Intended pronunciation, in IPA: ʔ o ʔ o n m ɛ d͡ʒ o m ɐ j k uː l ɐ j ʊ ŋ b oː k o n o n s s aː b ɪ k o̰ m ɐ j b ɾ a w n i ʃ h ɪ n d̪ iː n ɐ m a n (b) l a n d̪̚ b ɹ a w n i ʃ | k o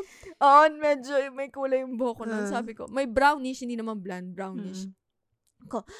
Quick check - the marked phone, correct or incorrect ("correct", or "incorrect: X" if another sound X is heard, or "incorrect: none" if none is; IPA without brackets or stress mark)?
correct